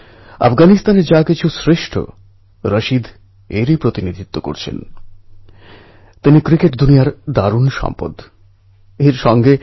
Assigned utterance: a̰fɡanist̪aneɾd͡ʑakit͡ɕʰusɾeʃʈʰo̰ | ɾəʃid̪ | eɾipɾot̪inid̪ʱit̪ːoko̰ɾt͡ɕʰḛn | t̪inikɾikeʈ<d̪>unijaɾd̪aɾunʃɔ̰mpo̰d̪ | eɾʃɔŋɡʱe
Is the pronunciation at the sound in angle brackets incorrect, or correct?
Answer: correct